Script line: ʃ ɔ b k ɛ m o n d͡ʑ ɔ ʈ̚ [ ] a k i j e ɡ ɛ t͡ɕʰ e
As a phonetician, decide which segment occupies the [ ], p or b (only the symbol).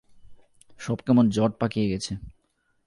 p